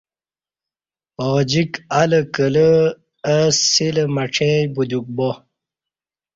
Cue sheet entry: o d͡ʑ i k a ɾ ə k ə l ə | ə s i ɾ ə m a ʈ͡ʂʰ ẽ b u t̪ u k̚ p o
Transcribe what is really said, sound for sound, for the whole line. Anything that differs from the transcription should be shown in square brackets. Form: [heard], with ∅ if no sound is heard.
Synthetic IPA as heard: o d͡ʑ i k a [l] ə k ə l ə | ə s i [l] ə m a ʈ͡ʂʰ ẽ b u [d̪] u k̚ [b] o